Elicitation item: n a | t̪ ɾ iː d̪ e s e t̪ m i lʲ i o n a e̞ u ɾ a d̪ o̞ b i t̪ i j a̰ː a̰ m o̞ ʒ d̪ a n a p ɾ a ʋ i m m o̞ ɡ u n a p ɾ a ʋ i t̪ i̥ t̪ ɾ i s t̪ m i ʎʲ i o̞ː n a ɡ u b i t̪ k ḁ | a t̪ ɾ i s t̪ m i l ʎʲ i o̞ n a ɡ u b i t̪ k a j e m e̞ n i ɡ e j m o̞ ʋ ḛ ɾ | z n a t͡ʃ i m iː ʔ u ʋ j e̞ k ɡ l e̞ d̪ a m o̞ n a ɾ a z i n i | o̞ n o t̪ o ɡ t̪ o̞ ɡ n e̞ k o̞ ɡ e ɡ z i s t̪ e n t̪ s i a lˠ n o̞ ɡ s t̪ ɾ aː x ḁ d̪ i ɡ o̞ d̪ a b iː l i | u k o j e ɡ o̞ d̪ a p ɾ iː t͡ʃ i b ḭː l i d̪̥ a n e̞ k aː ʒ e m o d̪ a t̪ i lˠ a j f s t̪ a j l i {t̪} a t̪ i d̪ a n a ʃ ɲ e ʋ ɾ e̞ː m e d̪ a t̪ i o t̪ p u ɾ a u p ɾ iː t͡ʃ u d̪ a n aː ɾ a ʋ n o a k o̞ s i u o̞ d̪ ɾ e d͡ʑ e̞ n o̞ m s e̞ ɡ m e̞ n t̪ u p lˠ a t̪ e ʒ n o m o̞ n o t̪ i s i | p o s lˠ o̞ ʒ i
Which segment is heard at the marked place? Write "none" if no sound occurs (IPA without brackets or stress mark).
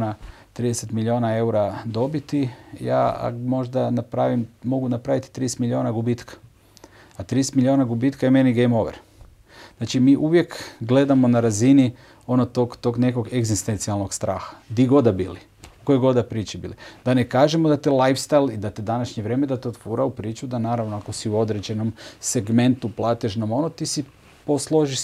d̪